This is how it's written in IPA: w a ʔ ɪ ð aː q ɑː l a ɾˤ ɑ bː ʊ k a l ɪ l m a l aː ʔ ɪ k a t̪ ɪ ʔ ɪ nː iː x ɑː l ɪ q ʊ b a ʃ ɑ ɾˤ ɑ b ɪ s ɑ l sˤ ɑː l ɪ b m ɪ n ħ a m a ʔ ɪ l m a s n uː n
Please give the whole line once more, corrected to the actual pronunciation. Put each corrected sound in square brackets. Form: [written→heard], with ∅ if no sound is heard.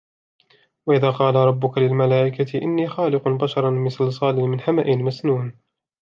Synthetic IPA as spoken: w a ʔ ɪ ð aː q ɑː l a ɾˤ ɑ bː ʊ k a l ɪ l m a l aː ʔ ɪ k a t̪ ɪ ʔ ɪ nː iː x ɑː l ɪ q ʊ b a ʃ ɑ ɾˤ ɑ [b→m] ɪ s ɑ l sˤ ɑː l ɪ [b→∅] m ɪ n ħ a m a ʔ ɪ l m a s n uː n